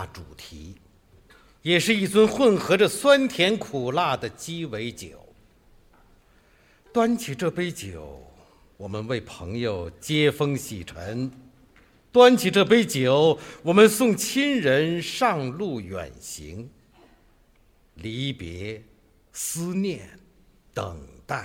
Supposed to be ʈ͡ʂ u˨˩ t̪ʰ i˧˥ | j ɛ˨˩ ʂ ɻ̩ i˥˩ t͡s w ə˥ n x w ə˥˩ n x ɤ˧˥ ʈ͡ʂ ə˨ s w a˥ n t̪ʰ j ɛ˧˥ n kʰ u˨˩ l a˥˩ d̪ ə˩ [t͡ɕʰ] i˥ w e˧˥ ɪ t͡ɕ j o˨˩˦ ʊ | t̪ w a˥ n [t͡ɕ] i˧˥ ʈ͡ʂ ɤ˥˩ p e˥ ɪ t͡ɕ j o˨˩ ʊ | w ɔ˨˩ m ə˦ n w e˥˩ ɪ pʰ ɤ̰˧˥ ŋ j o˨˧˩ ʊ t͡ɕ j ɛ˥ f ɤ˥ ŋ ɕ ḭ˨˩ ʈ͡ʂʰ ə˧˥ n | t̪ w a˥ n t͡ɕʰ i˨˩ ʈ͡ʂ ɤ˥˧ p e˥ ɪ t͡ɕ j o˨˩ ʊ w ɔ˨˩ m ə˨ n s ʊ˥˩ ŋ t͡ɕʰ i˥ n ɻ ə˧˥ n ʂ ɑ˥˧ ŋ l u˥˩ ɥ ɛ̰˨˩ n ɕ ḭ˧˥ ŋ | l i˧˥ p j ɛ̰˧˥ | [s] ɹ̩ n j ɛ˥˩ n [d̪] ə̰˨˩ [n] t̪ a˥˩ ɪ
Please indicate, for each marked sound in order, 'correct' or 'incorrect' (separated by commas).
incorrect, incorrect, correct, incorrect, incorrect